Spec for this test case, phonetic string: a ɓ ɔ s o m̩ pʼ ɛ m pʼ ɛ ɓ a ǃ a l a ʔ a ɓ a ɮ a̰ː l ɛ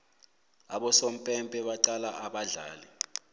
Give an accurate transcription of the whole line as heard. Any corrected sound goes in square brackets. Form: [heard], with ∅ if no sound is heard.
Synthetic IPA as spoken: a ɓ ɔ s o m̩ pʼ ɛ m pʼ ɛ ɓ a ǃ a l a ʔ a ɓ a ɮ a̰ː l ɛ

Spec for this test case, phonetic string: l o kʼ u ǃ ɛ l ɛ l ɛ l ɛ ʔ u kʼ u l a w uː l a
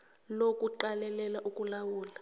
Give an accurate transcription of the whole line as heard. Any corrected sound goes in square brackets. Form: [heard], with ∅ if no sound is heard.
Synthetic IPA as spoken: l o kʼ u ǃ [a] l ɛ l ɛ l [a] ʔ u kʼ u l a w uː l a

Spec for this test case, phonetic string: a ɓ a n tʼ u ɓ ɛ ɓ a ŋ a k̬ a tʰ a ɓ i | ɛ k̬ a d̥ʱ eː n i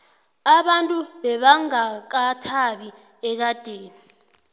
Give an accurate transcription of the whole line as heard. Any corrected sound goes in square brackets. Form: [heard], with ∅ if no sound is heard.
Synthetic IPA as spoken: a ɓ a n tʼ u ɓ ɛ ɓ a ŋ a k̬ a tʰ a ɓ i | ɛ k̬ a d̥ʱ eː n i

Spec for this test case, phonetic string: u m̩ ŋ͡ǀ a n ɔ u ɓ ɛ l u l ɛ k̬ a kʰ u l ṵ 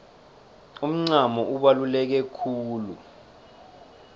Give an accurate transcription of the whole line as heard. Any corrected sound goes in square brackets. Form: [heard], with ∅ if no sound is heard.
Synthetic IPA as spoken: u m̩ ŋ͡ǀ a [m] ɔ u ɓ [a] l u l ɛ k̬ [ɛ] kʰ [uː] l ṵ

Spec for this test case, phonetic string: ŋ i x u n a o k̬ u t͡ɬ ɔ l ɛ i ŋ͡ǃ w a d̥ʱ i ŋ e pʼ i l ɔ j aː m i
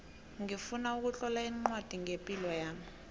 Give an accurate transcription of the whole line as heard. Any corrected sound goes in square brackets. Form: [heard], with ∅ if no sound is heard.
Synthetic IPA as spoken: ŋ i [f] u n a [u] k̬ u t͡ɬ ɔ l [a] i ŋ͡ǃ w a d̥ʱ i ŋ e pʼ i l ɔ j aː m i

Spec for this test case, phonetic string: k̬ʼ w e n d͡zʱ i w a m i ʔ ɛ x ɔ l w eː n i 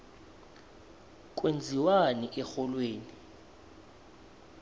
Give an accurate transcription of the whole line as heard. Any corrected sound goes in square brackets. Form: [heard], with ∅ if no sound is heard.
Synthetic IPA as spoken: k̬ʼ w e n d͡zʱ i w a [n] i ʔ ɛ x ɔ l w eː n i

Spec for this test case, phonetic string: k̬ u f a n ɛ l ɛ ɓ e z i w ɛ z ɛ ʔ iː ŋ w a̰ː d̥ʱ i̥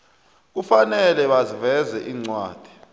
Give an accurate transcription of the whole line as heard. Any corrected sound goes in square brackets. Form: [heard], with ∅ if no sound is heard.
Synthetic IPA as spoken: k̬ u f a n ɛ l ɛ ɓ [a] z i [v] ɛ z ɛ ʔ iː [ŋ͡ǀ] w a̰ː d̥ʱ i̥

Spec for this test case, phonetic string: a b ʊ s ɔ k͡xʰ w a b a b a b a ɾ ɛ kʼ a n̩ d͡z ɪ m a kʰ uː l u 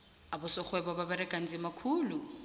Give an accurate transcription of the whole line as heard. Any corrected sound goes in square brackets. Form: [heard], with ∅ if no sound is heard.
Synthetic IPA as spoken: a b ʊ s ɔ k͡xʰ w [ɛ] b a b a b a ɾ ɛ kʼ a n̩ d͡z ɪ m a kʰ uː l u

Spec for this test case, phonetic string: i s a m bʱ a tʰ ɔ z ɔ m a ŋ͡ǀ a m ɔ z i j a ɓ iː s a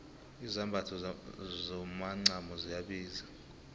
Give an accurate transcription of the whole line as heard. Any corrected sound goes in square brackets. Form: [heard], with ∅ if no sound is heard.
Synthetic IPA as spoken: i [z] a m bʱ a tʰ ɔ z ɔ m a ŋ͡ǀ a m ɔ z i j a ɓ iː [z] a

